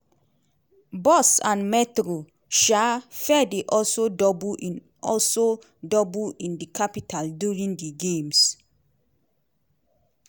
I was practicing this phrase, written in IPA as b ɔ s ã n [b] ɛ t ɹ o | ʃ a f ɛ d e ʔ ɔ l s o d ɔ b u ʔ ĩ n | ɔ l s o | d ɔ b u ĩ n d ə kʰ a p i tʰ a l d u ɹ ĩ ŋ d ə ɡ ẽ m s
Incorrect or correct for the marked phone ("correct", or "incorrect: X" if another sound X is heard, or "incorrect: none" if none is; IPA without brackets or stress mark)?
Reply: incorrect: m